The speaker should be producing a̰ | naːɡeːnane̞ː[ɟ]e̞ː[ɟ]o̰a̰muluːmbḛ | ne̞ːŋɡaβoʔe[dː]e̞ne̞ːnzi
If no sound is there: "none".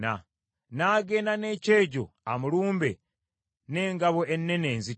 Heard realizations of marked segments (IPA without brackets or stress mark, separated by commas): c, ɟ, nː